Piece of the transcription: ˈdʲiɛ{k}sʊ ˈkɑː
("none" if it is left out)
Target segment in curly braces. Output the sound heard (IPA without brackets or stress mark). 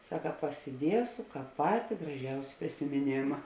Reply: none